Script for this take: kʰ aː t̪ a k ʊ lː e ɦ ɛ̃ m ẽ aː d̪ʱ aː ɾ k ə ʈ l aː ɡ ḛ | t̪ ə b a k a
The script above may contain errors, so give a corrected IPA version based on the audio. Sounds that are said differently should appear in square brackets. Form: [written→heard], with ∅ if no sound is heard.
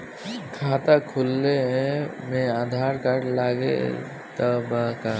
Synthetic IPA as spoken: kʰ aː t̪ a [k→kʰ] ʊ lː e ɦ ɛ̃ m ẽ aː d̪ʱ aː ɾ k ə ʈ l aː ɡ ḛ | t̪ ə b a k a

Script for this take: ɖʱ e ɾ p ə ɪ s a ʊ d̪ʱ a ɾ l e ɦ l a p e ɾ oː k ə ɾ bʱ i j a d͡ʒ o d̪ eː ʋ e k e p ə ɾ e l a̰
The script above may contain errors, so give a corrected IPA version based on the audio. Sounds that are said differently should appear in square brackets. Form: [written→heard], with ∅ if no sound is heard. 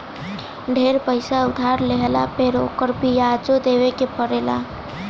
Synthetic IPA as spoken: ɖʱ e ɾ p ə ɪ s a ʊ d̪ʱ a ɾ l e ɦ l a p e ɾ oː k ə ɾ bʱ i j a d͡ʒ o d̪ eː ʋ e k e p ə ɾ e l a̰

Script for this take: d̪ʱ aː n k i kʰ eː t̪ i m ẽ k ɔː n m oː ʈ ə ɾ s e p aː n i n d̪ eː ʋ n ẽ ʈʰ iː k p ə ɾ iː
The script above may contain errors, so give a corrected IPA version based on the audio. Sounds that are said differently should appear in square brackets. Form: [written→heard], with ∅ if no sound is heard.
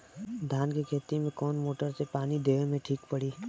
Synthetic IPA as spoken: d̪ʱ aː n k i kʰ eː t̪ i m ẽ k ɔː n m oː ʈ ə ɾ s e p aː n i [n→∅] d̪ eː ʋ [n→m] ẽ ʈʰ iː k p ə [ɾ→ɽ] iː

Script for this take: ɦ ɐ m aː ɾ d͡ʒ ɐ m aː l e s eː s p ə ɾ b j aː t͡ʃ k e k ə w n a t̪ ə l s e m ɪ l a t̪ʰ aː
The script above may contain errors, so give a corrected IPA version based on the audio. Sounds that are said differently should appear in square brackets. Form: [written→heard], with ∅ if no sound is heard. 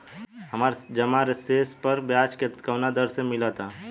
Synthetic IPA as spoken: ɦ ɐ m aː ɾ d͡ʒ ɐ m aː [l→ɾ] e s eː s p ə ɾ b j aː t͡ʃ k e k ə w n a [t̪→d̪] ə [l→ɾ] s e m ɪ l a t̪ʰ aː

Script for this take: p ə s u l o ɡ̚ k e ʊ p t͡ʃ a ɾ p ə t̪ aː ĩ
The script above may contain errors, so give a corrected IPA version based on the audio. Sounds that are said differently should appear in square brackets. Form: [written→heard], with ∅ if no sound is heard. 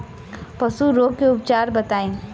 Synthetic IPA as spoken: p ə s u [l→ɾ] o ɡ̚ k e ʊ p t͡ʃ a ɾ [p→b] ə t̪ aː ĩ

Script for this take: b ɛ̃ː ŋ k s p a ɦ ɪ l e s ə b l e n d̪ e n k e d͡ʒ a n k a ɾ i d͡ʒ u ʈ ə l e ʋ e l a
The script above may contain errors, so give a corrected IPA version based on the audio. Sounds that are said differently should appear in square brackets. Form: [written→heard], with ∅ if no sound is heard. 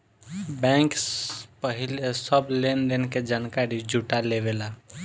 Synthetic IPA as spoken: b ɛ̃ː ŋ k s p [a→ə] ɦ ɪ l e s ə b l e n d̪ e n k e d͡ʒ a n k a ɾ i d͡ʒ u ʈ [ə→a] l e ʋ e l a

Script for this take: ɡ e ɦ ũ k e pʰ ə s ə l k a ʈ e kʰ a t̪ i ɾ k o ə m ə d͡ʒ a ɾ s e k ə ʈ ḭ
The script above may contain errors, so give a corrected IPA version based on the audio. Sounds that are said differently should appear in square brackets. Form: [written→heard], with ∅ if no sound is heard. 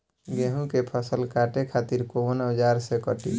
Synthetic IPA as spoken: ɡ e ɦ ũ k e pʰ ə s ə l k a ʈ e kʰ a t̪ i ɾ k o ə [m→n] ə d͡ʒ a ɾ s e k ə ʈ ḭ

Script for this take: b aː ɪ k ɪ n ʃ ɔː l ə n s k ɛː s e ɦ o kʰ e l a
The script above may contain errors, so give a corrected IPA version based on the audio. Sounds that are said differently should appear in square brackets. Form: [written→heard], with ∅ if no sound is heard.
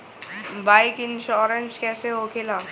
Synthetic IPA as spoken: b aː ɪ k ɪ n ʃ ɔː [l→ɾ] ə n s k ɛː s e ɦ o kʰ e l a

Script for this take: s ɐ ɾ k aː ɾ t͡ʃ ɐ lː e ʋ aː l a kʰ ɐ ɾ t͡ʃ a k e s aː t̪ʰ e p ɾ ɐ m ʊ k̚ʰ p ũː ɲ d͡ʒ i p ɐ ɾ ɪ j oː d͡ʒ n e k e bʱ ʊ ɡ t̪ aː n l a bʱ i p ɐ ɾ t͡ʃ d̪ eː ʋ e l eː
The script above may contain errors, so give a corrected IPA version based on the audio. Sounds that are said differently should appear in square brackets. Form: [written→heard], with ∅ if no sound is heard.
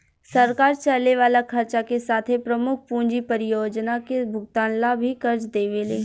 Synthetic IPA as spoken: s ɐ ɾ k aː ɾ t͡ʃ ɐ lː e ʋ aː l a kʰ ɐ ɾ t͡ʃ a k e s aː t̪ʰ e p ɾ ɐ m ʊ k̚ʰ p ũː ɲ d͡ʒ i p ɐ ɾ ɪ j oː d͡ʒ n [e→a] k e bʱ ʊ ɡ t̪ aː n l a bʱ i [p→k] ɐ ɾ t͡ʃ d̪ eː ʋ e l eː

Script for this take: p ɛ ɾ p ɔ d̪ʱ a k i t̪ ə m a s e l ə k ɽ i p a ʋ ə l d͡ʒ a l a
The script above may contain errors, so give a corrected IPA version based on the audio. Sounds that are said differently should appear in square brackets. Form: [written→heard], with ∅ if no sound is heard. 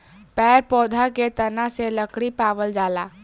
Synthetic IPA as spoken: p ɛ ɾ p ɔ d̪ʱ a k [i→e] t̪ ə [m→n] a s e l ə k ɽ i p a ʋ ə l d͡ʒ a l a

